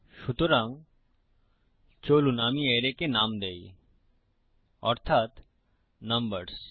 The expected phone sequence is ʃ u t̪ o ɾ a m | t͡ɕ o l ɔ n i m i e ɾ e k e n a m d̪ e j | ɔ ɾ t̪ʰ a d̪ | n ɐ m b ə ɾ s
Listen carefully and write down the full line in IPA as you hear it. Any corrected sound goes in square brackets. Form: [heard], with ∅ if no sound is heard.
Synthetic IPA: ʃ u t̪ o ɾ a [ŋ] | t͡ɕ o l [u] n [a] m i e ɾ e k e n a m d̪ e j | ɔ ɾ t̪ʰ a [t̪] | n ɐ m b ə ɾ s